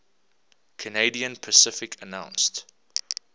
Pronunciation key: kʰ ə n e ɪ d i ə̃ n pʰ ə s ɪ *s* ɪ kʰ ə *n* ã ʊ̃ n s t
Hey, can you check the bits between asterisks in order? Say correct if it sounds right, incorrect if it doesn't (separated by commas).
incorrect, correct